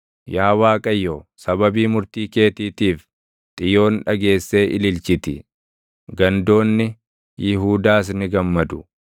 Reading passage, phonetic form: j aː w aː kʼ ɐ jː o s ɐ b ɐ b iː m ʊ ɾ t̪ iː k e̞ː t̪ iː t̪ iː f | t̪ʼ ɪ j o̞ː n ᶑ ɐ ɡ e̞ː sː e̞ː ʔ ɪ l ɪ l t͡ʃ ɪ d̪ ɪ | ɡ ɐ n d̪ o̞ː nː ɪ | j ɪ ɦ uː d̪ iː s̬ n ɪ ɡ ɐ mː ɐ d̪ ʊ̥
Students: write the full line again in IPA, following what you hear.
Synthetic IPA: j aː w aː kʼ ɐ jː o s ɐ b ɐ b iː m ʊ ɾ t̪ iː k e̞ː t̪ iː t̪ iː f | t̪ʼ ɪ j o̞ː n ᶑ ɐ ɡ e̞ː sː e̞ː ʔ ɪ l ɪ l t͡ʃ ɪ t̪ ɪ | ɡ ɐ n d̪ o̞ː nː ɪ | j ɪ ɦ uː d̪ aː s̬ n ɪ ɡ ɐ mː ɐ d̪ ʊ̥

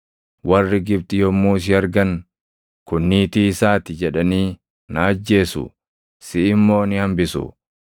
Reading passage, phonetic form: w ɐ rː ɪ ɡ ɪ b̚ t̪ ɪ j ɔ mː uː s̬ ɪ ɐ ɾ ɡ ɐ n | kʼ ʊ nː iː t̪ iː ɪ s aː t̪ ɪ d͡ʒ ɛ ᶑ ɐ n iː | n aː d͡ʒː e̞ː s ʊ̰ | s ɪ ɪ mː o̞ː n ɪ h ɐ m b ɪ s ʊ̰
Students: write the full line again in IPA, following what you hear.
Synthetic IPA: w ɐ rː ɪ ɡ ɪ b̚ t̪ ɪ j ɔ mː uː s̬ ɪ ɐ ɾ ɡ ɐ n | k ʊ nː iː t̪ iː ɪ s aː t̪ ɪ d͡ʒ ɛ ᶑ ɐ n iː | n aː d͡ʒː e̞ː s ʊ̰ | s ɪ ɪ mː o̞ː n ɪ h ɐ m b ɪ s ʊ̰

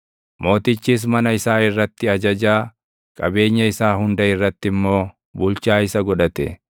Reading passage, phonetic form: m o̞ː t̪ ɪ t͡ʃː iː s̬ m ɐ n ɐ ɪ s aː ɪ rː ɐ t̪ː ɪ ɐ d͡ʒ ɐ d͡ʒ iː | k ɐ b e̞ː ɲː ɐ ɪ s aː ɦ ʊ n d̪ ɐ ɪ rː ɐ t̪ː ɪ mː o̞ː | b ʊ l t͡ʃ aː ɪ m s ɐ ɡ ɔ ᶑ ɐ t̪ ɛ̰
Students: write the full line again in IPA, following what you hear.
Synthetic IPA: m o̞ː t̪ ɪ t͡ʃː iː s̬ m ɐ n ɐ ɪ s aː ɪ rː ɐ t̪ː ɪ ɐ d͡ʒ ɐ d͡ʒ aː | kʼ ɐ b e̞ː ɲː ɐ ɪ s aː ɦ ʊ n d̪ ɐ ɪ rː ɐ t̪ː ɪ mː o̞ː | b ʊ l t͡ʃ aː ɪ s ɐ ɡ ɔ ᶑ ɐ t̪ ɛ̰

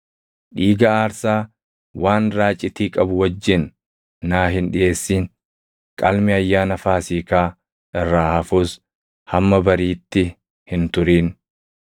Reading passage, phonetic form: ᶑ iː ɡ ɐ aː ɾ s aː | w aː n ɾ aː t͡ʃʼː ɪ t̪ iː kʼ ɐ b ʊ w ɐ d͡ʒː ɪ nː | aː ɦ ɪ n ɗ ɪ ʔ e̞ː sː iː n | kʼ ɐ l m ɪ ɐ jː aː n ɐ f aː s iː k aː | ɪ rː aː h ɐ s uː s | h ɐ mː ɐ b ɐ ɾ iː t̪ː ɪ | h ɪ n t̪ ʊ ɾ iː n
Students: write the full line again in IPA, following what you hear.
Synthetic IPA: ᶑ iː ɡ ɐ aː ɾ s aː | w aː n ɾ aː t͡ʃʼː ɪ t̪ iː kʼ ɐ b ʊ w ɐ d͡ʒː ɪ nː | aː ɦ ɪ n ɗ ɪ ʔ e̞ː sː iː n | kʼ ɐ l m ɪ ɐ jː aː n ɐ f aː s iː k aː | ɪ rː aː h ɐ f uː s | h ɐ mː ɐ b ɐ ɾ iː t̪ː ɪ | h ɪ n t̪ ʊ ɾ iː n

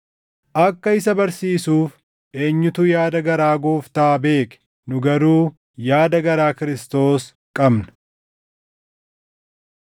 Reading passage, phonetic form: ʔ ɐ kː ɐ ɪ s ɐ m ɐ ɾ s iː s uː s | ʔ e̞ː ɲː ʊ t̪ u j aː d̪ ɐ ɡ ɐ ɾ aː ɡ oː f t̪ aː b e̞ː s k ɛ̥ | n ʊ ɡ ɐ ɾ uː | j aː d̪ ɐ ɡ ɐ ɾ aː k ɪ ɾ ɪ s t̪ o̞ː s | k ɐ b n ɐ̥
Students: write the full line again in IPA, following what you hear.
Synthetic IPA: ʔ ɐ kː ɐ ɪ s ɐ b ɐ ɾ s iː s uː f | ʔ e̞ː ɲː ʊ t̪ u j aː d̪ ɐ ɡ ɐ ɾ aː ɡ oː f t̪ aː b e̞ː k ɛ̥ | n ʊ ɡ ɐ ɾ uː | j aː d̪ ɐ ɡ ɐ ɾ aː k ɪ ɾ ɪ s t̪ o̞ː s | kʼ ɐ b n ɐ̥

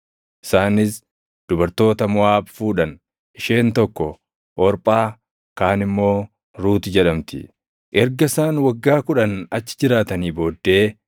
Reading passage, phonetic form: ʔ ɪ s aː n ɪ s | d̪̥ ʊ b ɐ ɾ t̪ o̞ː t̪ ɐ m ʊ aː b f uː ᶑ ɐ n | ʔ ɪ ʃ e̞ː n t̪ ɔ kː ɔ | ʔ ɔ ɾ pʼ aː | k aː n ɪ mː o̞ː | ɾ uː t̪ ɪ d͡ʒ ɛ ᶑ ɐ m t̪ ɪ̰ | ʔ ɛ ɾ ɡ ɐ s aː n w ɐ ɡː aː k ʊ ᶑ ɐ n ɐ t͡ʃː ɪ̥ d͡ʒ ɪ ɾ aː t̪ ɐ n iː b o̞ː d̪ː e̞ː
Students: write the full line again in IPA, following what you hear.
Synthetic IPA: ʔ ɪ s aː n ɪ s | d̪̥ ʊ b ɐ ɾ t̪ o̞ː t̪ ɐ m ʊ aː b f uː ᶑ ɐ n | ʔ ɪ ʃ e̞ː n t̪ ɔ kː ɔ | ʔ ɔ ɾ pʼ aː | k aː n ɪ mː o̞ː | ɾ uː t̪ ɪ d͡ʒ ɛ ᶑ ɐ m t̪ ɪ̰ | ʔ ɛ ɾ ɡ ɐ s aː n w ɐ ɡː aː k ʊ ᶑ ɐ n ɐ t͡ʃː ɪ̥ d͡ʒ ɪ ɾ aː t̪ ɐ n iː b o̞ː d̪ː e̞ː

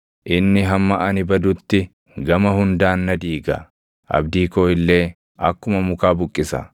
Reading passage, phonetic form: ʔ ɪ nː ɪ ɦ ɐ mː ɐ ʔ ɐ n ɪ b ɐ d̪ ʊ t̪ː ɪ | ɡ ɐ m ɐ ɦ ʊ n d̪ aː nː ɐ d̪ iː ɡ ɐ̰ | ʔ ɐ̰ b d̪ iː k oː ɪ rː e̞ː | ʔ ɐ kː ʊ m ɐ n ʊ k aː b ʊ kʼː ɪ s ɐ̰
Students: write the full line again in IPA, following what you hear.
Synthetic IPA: ʔ ɪ nː ɪ ɦ ɐ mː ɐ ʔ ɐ n ɪ b ɐ d̪ ʊ t̪ː ɪ | ɡ ɐ m ɐ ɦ ʊ n d̪ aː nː ɐ d̪ iː ɡ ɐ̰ | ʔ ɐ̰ b d̪ iː k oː ɪ lː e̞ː | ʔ ɐ kː ʊ m ɐ m ʊ k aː b ʊ kʼː ɪ s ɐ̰

